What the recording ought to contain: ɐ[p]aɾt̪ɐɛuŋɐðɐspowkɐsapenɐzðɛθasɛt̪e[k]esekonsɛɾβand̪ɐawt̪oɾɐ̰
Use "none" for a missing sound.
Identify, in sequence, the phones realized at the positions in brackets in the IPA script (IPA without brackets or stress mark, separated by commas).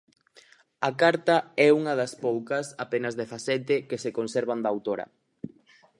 k, k